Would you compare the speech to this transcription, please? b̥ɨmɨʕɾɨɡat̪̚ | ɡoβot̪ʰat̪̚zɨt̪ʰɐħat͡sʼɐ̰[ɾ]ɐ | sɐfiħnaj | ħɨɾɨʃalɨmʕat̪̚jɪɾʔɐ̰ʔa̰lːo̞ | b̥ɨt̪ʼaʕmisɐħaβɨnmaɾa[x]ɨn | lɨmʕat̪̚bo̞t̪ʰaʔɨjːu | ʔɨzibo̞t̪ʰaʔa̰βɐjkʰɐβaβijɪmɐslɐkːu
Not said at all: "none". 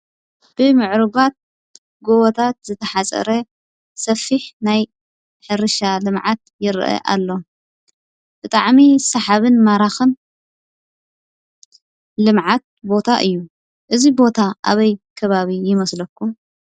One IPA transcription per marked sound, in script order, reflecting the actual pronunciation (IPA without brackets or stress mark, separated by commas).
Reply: ɾ, x